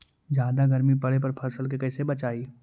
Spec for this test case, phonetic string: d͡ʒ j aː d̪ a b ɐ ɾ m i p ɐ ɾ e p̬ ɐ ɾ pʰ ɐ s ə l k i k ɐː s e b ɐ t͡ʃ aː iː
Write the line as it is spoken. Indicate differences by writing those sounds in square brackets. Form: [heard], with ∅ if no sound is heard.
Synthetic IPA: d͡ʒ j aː d̪ a [ɡ] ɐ ɾ m i p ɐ [ɽ] e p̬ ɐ ɾ pʰ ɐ s ə l k [e] k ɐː s e b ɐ t͡ʃ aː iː